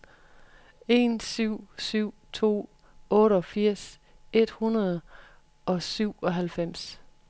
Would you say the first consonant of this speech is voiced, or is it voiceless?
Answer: voiced